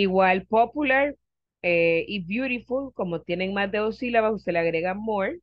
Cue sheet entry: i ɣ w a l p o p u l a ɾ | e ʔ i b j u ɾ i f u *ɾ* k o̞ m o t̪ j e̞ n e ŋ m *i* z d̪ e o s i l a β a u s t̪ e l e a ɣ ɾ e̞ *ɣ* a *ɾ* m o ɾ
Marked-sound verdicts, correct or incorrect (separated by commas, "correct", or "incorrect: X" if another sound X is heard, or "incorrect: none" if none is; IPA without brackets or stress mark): incorrect: l, incorrect: a, correct, incorrect: none